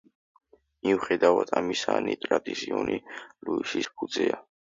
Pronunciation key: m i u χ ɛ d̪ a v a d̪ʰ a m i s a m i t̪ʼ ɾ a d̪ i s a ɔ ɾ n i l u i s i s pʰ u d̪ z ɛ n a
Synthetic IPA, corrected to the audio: m i u χ ɛ d̪ a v a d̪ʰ a m i s a n i t̪ʼ ɾ a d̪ i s i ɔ n i l u i s i s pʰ u d̪ z ɛ a

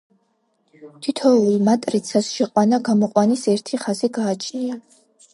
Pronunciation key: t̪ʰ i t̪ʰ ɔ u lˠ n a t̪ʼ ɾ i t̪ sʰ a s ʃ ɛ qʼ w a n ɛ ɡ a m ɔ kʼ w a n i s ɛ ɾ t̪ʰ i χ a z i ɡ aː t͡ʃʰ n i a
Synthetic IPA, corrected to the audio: t̪ʰ i t̪ʰ ɔ u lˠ m a t̪ʼ ɾ i t̪ sʰ a s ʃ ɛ qʼ w a n a ɡ a m ɔ qʼ w a n i s ɛ ɾ t̪ʰ i χ a z i ɡ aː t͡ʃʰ n i a

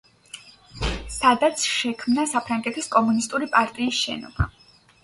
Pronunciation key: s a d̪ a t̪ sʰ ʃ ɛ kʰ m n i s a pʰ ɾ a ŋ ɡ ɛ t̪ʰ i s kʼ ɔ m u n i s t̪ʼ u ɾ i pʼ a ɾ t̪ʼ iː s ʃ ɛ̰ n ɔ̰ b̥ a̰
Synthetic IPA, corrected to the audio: s a d̪ a t̪ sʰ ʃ ɛ kʰ m n a s a pʰ ɾ a ŋ ɡ ɛ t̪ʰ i s kʼ ɔ m u n i s t̪ʼ u ɾ i pʼ a ɾ t̪ʼ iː s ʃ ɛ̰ n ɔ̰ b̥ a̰

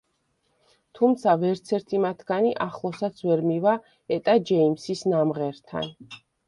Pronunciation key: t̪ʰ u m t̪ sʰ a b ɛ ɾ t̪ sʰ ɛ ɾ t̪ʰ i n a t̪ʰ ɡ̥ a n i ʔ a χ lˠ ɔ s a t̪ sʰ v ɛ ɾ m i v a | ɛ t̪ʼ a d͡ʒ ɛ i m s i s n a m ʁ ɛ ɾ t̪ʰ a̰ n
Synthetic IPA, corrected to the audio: t̪ʰ u m t̪ sʰ a v ɛ ɾ t̪ sʰ ɛ ɾ t̪ʰ i m a t̪ʰ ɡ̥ a n i ʔ a χ lˠ ɔ s a t̪ sʰ v ɛ ɾ m i v a | ɛ t̪ʼ a d͡ʒ ɛ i m s i s n a m ʁ ɛ ɾ t̪ʰ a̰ n

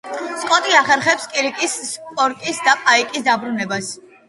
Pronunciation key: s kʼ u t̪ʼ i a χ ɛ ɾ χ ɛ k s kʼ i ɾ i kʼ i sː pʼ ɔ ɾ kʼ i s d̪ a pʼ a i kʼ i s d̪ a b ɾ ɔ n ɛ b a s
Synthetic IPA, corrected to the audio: s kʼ ɔ t̪ʼ i a χ ɛ ɾ χ ɛ p s kʼ i ɾ i kʼ i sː pʼ ɔ ɾ kʼ i s d̪ a pʼ a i kʼ i s d̪ a b ɾ u n ɛ b a s

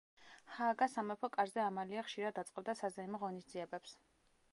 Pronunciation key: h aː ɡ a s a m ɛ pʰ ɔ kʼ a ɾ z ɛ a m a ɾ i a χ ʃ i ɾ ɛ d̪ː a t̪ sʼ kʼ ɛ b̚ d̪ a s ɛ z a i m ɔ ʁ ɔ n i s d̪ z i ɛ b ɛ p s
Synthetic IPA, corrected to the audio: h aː ɡ a s a m ɛ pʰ ɔ kʼ a ɾ z ɛ a m a l i a χ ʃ i ɾ a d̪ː a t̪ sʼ qʼ ɛ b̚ d̪ a s a z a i m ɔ ʁ ɔ n i s d̪ z i ɛ b ɛ p s

